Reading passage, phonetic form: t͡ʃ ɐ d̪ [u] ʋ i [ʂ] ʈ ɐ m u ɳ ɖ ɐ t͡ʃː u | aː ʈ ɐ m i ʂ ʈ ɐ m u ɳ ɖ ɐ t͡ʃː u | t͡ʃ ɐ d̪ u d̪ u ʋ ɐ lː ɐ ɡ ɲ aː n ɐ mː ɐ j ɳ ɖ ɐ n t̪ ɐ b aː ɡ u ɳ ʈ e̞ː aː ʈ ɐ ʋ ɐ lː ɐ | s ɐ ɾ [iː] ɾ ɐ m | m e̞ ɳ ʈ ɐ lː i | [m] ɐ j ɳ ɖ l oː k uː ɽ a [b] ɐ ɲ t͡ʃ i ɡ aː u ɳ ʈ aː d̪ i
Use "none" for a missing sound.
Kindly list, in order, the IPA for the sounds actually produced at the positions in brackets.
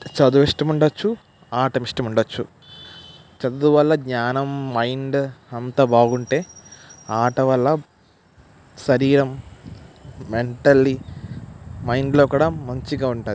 u, ʂ, iː, m, m

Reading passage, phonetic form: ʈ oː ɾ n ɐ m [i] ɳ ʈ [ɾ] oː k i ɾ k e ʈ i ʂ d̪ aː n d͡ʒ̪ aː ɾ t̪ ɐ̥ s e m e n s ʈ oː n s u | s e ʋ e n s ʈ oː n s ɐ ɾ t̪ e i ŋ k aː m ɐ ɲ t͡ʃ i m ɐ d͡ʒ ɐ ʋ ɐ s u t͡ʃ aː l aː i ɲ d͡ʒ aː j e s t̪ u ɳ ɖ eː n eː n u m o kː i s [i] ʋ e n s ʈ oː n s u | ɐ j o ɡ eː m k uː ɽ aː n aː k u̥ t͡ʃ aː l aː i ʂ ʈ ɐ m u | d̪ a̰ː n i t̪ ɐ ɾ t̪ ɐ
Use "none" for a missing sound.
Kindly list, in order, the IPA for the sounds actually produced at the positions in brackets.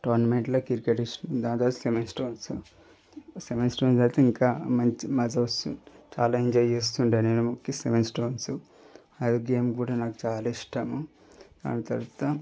e, l, e

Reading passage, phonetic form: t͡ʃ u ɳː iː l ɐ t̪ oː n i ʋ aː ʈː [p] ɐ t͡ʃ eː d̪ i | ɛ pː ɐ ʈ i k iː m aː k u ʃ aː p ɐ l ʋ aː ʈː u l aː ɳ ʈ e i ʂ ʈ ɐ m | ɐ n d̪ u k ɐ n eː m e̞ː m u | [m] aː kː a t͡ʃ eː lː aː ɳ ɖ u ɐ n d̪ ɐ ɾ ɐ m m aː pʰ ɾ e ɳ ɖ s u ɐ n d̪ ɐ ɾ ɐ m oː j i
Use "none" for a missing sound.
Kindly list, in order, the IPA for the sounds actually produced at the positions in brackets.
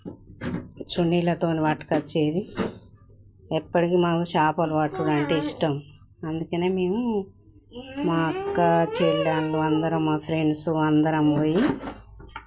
k, m

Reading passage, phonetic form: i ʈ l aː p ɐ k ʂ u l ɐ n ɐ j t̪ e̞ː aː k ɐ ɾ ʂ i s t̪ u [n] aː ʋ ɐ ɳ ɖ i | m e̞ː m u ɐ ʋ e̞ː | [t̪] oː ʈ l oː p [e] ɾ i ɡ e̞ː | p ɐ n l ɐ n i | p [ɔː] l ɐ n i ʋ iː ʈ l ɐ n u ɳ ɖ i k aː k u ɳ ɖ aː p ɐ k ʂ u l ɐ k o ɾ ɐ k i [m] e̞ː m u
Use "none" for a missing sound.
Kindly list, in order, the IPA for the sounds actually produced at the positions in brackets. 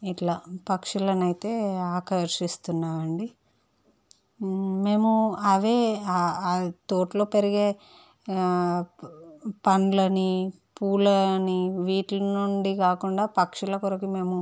nː, t̪, e, uː, m

